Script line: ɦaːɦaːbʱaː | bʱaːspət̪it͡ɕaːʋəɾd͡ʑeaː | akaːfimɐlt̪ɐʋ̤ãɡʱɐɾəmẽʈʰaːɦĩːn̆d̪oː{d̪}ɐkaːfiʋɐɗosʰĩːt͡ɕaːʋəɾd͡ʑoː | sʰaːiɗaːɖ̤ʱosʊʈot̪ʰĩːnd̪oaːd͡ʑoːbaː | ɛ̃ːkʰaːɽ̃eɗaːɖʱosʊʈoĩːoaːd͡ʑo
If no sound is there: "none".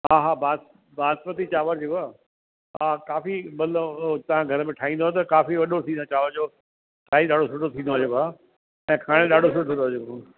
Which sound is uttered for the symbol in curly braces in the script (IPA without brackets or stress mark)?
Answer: t̪